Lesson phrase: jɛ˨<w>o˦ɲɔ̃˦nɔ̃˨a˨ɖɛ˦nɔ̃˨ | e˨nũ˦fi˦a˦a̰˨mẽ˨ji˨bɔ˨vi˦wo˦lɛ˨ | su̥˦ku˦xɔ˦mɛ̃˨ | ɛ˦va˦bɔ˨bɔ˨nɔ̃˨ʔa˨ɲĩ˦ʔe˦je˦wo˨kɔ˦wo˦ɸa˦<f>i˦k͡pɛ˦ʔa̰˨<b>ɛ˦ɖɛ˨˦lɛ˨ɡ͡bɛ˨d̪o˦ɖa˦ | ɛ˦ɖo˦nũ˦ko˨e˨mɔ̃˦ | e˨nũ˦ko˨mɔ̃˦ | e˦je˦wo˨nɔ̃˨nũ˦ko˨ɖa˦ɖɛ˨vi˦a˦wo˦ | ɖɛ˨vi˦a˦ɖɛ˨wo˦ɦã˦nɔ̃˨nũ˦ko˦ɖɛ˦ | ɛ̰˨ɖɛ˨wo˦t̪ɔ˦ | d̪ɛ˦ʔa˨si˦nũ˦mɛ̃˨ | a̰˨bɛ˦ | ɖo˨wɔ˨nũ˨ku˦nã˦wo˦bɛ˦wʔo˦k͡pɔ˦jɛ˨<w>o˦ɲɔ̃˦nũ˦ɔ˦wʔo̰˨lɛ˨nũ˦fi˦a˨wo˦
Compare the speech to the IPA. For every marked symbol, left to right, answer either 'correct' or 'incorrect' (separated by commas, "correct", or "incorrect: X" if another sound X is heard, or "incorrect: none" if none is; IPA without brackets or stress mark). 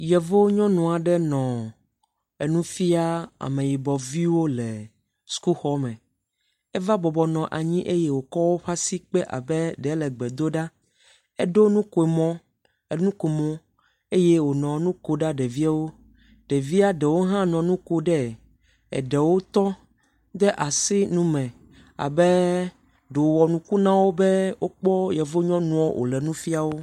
incorrect: v, incorrect: s, correct, incorrect: v